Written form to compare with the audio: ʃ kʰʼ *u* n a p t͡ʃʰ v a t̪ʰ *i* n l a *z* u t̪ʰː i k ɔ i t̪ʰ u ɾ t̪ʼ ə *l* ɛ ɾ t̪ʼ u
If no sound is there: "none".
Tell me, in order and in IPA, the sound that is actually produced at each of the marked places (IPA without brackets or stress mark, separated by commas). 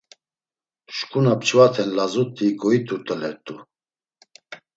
u, ɛ, z, l